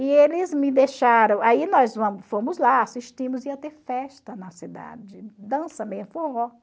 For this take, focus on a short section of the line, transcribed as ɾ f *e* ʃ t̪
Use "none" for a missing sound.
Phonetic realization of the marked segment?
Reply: ɛ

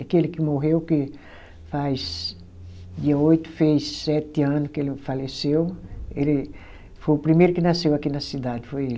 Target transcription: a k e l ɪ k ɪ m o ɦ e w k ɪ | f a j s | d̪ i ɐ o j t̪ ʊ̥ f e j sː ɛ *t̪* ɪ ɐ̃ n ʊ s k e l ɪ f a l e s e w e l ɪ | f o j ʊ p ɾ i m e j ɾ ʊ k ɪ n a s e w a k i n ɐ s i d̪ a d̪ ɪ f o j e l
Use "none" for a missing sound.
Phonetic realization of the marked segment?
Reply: t̪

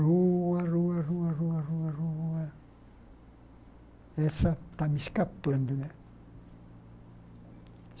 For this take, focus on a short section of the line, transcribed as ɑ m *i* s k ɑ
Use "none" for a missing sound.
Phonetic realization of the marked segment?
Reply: i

